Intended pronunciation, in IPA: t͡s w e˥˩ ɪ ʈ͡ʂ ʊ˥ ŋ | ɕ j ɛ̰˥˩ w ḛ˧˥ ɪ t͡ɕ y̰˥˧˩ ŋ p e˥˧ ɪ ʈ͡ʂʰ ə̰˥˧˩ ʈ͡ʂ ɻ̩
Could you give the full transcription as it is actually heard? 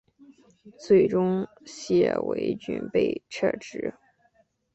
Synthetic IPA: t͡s w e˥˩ ɪ ʈ͡ʂ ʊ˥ ŋ | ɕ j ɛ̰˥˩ w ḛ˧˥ ɪ t͡ɕ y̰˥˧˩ n p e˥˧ ɪ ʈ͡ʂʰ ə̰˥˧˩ ʈ͡ʂ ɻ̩